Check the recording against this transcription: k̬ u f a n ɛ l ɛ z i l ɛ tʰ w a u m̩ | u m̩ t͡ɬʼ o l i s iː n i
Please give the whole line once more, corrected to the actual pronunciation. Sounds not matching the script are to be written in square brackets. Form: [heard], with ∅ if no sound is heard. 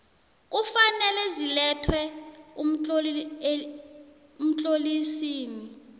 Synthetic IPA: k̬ u f a n ɛ l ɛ z i l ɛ tʰ w [ɛ] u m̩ | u m̩ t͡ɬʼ o l i s iː n i